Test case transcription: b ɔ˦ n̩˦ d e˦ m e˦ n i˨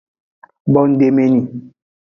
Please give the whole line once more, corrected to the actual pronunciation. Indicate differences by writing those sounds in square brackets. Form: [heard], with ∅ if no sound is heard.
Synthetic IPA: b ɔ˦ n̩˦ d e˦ m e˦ n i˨